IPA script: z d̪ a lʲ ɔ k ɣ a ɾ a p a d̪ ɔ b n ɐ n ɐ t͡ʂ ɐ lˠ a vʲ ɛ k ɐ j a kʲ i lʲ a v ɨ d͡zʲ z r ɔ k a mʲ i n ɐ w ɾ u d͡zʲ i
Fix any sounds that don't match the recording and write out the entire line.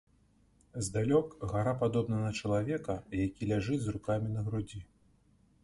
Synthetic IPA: z d̪ a lʲ ɔ k ɣ a ɾ a p a d̪ ɔ b n ɐ n ɐ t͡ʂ ɐ lˠ a vʲ ɛ k ɐ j a kʲ i lʲ a ʐ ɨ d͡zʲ z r u k a mʲ i n ɐ ɣ ɾ u d͡zʲ i